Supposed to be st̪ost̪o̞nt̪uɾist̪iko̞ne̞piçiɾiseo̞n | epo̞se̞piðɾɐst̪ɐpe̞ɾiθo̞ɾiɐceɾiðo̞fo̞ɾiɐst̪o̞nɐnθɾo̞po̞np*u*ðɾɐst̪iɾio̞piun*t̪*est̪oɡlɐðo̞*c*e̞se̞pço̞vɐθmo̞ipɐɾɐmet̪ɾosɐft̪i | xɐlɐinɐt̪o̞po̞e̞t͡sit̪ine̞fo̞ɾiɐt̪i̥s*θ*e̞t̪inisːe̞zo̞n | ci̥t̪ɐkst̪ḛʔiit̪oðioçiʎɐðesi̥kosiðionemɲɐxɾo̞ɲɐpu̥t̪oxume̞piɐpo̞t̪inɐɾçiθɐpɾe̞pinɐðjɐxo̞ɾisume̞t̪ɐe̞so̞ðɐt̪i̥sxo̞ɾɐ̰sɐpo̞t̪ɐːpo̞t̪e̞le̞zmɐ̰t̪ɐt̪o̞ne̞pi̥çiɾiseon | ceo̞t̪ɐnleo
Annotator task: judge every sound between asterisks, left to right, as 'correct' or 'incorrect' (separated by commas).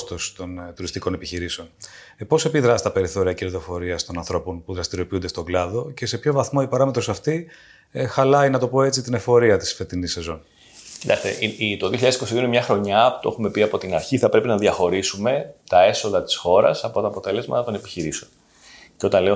correct, incorrect, correct, incorrect